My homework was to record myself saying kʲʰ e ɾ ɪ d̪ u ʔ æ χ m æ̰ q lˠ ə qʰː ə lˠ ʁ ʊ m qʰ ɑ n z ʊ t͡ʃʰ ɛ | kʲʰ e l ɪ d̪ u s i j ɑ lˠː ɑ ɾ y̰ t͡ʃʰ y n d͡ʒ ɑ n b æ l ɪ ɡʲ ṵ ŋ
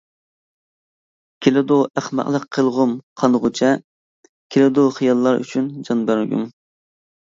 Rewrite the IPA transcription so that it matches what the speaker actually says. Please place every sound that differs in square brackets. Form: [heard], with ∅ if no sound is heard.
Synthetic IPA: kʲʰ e [l] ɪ d̪ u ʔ æ χ m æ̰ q lˠ ə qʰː ə lˠ ʁ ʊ m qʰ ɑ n [ʁ] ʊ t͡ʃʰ ɛ | kʲʰ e l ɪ d̪ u [χ] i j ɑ lˠː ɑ ɾ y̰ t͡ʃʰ y n d͡ʒ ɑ n b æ [ɾ] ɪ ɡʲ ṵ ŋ